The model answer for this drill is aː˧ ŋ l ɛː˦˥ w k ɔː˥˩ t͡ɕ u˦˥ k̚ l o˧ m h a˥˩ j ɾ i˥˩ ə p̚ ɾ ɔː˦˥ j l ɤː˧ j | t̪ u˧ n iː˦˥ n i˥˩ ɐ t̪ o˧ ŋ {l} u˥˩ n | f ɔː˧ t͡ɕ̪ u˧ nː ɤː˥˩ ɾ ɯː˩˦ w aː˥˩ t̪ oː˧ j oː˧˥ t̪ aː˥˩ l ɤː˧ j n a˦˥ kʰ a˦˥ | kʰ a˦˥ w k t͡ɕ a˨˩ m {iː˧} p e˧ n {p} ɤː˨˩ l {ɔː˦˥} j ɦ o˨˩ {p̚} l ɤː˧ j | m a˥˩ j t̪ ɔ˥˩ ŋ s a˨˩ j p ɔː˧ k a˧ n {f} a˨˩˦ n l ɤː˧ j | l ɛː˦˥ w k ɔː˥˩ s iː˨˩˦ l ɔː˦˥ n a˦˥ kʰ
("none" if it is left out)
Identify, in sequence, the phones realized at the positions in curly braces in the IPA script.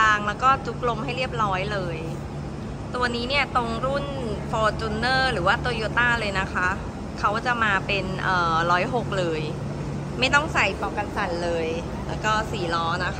ɾ, aː˧, ʔ, ɔː˦˥, k̚, s

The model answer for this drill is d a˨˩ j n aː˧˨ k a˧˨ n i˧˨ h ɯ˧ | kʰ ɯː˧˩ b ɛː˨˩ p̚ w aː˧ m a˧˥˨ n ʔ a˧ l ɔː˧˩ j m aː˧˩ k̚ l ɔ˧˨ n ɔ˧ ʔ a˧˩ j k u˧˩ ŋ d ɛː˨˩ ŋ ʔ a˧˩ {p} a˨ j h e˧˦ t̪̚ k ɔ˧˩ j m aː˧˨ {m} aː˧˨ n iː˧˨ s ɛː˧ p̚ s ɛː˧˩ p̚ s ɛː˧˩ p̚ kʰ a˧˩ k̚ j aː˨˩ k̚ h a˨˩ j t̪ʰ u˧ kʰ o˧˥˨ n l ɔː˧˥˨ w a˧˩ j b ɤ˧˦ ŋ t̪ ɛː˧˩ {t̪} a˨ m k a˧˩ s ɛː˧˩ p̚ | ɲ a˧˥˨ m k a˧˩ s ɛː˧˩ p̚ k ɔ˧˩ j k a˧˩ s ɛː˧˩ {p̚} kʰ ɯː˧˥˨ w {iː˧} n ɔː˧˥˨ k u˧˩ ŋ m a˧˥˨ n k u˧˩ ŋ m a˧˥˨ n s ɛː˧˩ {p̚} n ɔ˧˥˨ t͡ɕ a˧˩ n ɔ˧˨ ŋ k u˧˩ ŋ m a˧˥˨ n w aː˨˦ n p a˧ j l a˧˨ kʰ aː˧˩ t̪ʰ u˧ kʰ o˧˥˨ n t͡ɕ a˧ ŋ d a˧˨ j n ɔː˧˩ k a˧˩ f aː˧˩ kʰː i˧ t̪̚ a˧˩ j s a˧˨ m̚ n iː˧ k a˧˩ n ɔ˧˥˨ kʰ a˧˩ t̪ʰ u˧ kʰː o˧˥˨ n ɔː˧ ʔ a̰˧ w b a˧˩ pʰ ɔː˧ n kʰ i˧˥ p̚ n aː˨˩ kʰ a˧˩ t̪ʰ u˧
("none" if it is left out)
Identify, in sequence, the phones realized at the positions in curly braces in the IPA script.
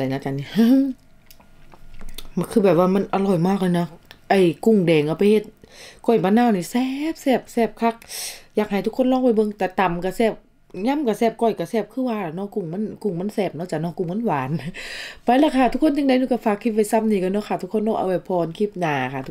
p, n, t̪, p̚, aː˧, p̚

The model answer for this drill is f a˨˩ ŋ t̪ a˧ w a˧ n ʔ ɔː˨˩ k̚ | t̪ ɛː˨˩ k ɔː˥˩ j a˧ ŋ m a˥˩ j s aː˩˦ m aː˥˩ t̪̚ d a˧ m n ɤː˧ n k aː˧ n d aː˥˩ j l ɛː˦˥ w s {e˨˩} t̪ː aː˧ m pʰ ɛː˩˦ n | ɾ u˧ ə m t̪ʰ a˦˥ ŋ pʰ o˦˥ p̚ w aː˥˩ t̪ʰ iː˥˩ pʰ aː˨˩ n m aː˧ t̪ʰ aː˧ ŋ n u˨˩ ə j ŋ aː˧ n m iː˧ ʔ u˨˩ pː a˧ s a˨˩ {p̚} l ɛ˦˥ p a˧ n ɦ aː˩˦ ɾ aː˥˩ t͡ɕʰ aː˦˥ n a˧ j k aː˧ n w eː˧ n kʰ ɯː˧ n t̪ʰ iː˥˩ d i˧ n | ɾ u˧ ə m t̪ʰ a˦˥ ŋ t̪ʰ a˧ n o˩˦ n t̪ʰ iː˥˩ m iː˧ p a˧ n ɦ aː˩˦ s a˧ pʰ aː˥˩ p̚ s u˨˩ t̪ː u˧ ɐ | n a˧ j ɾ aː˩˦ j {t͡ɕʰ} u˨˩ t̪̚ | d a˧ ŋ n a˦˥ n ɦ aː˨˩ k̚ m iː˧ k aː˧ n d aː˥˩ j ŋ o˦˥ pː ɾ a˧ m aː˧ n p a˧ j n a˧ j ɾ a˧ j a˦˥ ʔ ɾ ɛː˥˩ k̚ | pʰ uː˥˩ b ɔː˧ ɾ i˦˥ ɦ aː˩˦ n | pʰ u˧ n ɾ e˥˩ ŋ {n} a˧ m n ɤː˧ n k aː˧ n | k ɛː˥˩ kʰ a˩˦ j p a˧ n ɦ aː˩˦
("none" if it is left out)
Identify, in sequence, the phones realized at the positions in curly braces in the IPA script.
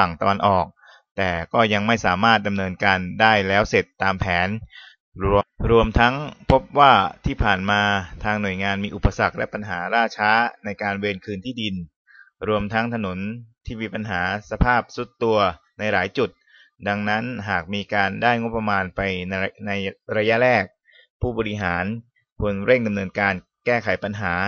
e˨˩, k̚, t͡ɕ, d

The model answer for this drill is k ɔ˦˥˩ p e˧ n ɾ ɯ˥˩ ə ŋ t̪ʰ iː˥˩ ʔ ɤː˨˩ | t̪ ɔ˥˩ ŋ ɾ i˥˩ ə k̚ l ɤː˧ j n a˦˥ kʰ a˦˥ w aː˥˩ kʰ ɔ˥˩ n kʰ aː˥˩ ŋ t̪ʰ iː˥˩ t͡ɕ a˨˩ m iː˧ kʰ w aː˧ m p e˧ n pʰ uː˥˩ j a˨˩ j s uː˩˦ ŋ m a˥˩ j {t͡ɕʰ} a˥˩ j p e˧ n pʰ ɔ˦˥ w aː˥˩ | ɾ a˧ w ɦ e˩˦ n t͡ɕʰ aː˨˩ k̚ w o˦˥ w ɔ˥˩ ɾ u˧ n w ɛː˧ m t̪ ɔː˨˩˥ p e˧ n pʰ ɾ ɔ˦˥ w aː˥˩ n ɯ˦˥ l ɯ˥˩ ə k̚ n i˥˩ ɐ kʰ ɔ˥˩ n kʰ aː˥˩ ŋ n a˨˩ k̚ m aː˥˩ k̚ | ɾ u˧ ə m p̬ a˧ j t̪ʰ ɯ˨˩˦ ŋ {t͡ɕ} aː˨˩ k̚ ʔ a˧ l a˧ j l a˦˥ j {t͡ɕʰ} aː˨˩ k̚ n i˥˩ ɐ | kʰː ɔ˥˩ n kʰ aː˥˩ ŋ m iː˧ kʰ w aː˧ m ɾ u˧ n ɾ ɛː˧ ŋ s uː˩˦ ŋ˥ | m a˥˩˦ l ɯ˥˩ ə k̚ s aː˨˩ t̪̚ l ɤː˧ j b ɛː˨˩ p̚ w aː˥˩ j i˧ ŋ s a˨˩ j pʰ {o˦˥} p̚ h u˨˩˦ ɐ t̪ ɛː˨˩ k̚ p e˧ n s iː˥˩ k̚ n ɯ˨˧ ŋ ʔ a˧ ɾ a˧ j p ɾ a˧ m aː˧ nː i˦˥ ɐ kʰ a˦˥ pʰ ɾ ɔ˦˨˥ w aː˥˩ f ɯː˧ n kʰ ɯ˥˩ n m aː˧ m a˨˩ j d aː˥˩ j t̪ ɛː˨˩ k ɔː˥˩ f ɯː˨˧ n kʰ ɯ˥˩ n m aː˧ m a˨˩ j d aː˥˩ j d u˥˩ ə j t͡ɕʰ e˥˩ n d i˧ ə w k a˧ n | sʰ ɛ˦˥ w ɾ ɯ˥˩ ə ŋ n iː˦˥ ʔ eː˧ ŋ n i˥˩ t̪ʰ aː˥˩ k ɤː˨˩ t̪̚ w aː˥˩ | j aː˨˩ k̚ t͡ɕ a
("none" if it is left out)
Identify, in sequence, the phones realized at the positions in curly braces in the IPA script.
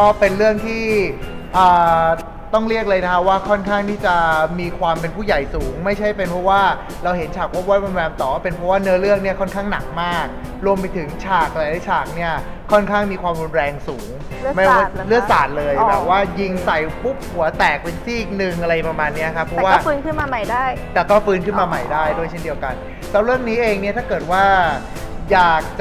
t͡ɕʰ, t͡ɕʰ, t͡ɕʰ, u˦˥

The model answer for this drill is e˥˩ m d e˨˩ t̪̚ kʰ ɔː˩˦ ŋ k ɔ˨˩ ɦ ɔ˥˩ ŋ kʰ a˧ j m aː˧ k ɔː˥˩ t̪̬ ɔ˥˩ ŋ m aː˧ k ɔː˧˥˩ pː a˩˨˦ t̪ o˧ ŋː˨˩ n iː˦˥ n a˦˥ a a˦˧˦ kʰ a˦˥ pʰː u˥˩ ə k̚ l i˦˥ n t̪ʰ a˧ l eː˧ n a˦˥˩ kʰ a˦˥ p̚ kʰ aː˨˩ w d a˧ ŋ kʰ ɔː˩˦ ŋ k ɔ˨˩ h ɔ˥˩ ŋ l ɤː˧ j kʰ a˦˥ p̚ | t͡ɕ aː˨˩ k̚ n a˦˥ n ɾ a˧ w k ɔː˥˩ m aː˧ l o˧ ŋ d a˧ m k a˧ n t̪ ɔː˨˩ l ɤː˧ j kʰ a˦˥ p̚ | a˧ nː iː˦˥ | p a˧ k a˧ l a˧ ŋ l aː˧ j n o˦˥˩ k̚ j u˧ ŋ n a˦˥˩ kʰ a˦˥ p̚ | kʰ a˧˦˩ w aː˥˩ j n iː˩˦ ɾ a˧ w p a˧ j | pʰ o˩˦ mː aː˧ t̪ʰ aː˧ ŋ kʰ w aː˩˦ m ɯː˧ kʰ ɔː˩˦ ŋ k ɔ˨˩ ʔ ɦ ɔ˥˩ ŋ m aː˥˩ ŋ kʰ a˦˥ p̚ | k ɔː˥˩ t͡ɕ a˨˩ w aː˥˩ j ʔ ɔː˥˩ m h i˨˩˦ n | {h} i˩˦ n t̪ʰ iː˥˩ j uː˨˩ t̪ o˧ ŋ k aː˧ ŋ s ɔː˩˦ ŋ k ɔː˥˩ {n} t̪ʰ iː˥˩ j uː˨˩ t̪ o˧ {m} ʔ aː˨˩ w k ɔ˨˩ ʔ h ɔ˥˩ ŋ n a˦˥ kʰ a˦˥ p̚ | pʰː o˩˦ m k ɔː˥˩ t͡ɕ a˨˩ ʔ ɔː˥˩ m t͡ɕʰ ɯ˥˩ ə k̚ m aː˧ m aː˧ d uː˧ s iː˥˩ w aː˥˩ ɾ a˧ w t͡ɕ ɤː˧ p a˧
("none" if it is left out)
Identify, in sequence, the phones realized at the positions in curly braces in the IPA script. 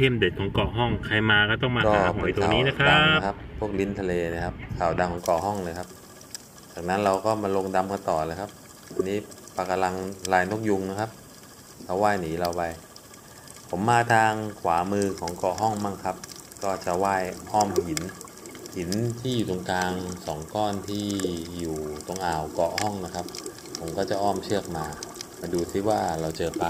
h, n, ŋ

